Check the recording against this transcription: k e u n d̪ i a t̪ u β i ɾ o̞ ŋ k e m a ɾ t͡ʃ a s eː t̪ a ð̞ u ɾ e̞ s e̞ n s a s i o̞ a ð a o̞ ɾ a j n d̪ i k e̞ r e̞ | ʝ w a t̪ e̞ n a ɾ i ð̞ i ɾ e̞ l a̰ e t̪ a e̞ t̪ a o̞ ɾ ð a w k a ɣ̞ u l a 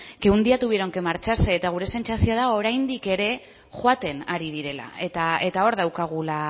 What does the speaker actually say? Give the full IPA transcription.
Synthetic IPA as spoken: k e u n d̪ i a t̪ u β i ɾ o̞ ŋ k e m a ɾ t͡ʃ a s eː t̪ a ɣ̞ u ɾ e̞ s e̞ n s a s i o̞ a ð a o̞ ɾ a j n d̪ i k e̞ ɾ e̞ | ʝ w a t̪ e̞ n a ɾ i ð̞ i ɾ e̞ l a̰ e t̪ a e̞ t̪ a o̞ ɾ ð a w k a ɣ̞ u l a